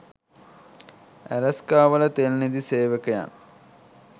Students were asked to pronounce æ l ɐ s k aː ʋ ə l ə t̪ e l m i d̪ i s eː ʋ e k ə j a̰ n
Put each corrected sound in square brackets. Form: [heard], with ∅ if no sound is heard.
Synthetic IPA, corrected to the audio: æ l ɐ s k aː ʋ ə l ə t̪ e l [n] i d̪ i s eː ʋ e k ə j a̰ n